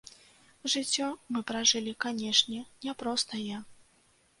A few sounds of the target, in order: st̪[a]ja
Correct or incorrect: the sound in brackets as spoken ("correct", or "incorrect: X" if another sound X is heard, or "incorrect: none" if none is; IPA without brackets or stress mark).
incorrect: ɐ